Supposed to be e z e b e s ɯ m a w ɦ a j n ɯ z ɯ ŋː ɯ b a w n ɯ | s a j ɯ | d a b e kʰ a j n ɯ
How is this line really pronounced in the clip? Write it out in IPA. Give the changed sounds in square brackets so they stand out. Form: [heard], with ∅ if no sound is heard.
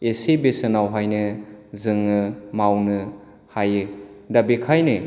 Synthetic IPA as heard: e [s] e b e s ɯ [n] a w ɦ a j n ɯ z ɯ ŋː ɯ [m] a w n ɯ | [h] a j ɯ | d a b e kʰ a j n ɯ